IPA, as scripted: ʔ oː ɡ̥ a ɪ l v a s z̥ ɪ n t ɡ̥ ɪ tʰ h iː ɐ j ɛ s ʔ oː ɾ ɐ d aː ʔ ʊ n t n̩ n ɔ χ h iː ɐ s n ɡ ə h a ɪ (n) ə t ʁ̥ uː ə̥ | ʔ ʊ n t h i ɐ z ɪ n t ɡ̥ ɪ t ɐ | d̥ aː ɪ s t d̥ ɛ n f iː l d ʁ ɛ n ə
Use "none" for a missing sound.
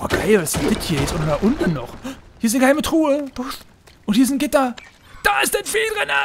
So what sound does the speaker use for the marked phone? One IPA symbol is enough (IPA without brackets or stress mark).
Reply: m